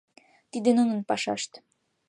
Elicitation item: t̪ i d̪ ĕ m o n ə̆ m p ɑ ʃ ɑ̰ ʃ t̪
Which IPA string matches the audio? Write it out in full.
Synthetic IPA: t̪ i d̪ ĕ n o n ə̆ n p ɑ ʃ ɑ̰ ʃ t̪

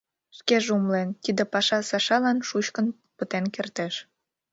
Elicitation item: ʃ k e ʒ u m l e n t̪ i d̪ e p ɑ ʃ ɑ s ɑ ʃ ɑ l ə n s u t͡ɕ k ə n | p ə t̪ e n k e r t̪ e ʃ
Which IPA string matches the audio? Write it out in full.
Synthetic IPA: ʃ k e ʒ u m l e n t̪ i d̪ e p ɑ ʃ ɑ s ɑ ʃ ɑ l ɑ n ʃ u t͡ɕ k ə n | p ə t̪ e n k e r t̪ e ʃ

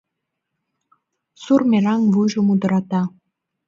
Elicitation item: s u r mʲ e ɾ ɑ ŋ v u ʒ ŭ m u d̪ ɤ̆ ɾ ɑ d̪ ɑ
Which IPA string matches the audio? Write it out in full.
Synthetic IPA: s u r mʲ e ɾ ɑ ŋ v u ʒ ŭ m u d̪ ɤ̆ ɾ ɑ t̪ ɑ

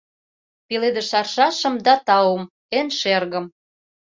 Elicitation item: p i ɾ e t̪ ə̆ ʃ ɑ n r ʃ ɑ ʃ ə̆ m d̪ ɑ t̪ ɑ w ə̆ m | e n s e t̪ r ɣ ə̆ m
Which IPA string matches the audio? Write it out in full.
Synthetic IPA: p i l e d̪ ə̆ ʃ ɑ r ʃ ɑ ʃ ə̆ m d̪ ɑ t̪ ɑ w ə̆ m | e n ʃ e r ɣ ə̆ m

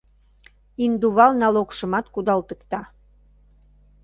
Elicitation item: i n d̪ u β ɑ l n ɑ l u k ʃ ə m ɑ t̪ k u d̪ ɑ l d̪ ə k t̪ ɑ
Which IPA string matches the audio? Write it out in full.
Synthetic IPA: i n d̪ u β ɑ l n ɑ l o k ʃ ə m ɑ t̪ k u d̪ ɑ l t̪ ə k t̪ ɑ

